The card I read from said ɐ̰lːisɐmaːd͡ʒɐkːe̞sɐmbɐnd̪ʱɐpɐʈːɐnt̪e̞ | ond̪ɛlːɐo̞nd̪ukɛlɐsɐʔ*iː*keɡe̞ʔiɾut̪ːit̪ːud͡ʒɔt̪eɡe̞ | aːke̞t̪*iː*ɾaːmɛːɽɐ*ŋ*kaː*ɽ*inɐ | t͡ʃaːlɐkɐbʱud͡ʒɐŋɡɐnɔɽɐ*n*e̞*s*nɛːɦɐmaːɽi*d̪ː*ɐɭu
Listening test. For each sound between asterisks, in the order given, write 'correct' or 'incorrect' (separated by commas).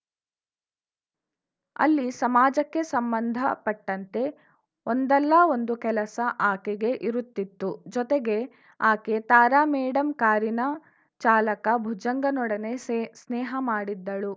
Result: incorrect, incorrect, incorrect, incorrect, correct, correct, correct